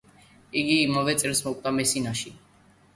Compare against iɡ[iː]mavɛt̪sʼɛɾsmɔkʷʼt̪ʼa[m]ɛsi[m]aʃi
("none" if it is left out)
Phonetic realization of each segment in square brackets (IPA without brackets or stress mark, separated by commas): iː, m, n